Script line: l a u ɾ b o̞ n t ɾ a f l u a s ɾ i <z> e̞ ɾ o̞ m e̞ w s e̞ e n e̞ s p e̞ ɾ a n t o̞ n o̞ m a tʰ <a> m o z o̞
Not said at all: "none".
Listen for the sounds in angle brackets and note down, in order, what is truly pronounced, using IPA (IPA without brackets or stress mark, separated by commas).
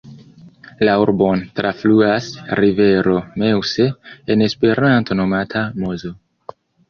v, a